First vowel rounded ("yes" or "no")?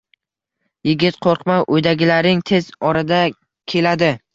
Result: no